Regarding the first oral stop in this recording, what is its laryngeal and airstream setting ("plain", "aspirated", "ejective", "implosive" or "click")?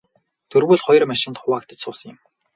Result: aspirated